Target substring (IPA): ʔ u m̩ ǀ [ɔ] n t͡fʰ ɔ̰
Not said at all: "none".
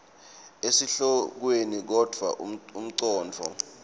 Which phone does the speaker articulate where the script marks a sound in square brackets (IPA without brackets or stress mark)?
ɔː